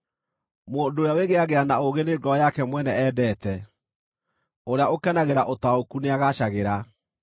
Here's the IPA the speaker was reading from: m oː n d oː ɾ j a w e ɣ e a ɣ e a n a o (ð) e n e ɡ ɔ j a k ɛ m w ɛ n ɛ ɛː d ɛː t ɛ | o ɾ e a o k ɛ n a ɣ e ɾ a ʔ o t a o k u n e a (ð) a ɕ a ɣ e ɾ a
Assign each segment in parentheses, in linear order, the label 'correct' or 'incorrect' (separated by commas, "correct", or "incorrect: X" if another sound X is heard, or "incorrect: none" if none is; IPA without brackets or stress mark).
incorrect: ɣ, incorrect: ɣ